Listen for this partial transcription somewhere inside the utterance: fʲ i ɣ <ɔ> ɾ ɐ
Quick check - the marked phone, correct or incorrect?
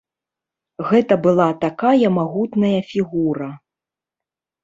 incorrect: u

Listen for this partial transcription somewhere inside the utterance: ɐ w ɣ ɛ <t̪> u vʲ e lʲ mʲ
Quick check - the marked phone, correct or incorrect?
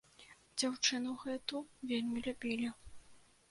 correct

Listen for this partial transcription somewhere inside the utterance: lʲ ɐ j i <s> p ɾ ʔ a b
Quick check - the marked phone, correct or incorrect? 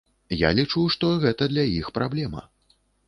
incorrect: x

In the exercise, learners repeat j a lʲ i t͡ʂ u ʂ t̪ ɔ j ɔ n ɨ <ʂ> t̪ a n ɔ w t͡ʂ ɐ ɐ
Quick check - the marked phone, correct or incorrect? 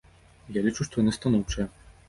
incorrect: s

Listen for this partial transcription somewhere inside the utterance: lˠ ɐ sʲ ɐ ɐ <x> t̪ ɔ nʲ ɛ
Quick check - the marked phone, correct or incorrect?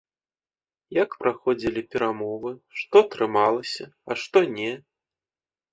incorrect: ʂ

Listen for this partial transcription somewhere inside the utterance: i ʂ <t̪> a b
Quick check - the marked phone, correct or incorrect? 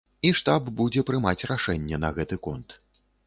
correct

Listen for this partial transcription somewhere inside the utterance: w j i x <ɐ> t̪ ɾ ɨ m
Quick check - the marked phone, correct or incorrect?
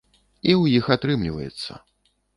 incorrect: a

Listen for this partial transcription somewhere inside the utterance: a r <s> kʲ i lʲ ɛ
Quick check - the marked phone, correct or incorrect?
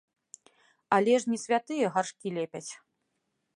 incorrect: ʂ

